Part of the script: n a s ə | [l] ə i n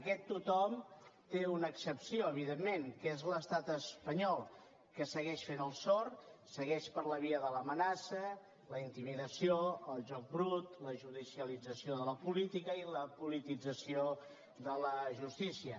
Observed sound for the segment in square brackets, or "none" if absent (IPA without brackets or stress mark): l